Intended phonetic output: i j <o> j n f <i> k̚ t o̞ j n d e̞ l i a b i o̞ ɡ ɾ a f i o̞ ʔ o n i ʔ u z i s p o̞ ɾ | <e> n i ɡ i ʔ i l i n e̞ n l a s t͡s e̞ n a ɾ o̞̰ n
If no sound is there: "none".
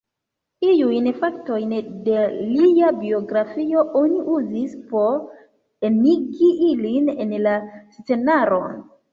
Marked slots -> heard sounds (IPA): u, a, e

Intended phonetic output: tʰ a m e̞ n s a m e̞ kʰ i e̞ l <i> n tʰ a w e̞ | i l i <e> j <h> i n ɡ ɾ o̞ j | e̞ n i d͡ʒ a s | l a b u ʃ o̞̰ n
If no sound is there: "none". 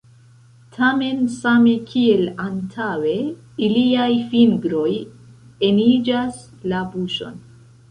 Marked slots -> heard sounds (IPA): a, a, f

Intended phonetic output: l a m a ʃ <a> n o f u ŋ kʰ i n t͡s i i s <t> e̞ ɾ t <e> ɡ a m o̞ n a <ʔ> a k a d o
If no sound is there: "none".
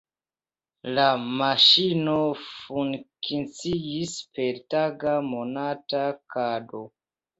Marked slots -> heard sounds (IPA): i, p, a, t

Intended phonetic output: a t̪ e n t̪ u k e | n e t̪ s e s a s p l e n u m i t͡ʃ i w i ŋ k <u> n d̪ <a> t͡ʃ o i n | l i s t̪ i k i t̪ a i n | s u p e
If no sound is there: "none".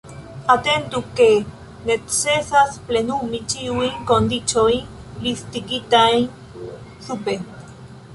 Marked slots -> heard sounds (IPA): o, i

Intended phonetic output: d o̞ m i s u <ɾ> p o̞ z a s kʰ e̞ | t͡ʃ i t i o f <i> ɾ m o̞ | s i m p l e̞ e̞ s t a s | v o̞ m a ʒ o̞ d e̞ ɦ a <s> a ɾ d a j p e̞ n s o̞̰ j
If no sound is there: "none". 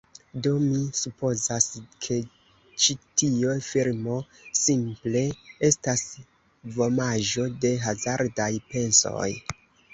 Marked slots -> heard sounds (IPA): none, i, z

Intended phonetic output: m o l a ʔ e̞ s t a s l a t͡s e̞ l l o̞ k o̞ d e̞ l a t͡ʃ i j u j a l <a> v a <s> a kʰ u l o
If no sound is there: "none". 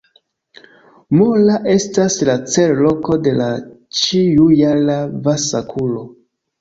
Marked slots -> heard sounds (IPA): a, s

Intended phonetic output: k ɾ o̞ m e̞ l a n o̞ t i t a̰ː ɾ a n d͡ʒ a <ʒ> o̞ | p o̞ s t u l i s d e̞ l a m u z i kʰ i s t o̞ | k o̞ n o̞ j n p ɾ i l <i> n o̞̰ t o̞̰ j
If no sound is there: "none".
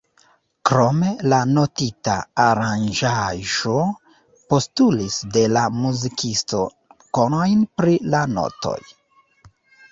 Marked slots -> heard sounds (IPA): ʒ, a

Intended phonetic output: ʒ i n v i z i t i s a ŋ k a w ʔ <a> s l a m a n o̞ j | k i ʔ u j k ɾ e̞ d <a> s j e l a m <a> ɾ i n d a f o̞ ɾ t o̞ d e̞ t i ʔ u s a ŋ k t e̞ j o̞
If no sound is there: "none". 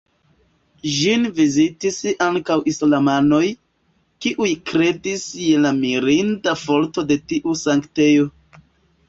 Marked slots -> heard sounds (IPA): i, i, i

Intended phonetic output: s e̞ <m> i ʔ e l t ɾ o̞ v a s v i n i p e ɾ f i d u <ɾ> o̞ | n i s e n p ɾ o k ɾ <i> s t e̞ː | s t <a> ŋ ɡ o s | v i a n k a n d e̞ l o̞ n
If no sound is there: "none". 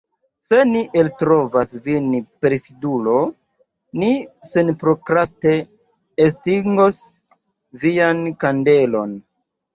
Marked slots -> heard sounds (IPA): n, l, a, i

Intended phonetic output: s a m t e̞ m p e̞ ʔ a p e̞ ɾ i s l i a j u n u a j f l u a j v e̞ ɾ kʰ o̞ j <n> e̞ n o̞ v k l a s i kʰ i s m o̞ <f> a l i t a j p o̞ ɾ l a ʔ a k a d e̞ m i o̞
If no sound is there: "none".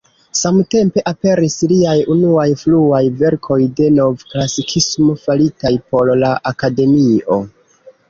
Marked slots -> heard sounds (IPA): d, f

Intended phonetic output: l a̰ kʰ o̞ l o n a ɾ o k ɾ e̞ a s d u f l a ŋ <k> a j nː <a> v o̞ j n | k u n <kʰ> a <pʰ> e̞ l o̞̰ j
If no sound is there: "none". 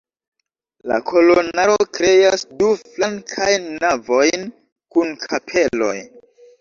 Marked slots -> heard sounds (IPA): kʰ, a, kʰ, pʰ

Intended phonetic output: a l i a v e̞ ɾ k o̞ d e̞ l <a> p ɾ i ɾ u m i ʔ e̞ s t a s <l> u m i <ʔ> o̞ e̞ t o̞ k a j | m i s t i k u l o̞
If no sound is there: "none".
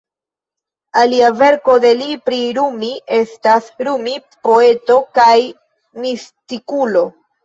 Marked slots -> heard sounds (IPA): i, ɾ, p

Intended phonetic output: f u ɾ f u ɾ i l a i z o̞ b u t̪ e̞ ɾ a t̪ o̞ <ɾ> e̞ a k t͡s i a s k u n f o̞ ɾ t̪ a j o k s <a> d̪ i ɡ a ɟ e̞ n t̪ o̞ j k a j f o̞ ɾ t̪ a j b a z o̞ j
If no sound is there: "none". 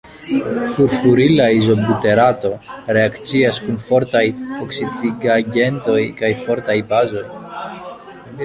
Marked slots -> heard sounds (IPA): ɾ, i

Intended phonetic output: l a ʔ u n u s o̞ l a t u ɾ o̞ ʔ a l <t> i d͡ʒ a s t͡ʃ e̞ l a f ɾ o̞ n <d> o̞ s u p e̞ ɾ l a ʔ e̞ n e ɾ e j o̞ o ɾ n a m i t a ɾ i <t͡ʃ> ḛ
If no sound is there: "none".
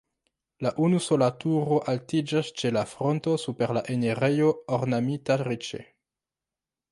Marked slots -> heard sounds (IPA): t, t, t͡ʃ

